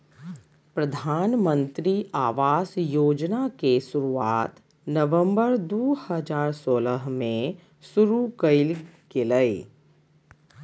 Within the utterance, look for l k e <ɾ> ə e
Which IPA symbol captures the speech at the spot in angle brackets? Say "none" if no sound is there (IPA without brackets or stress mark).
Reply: l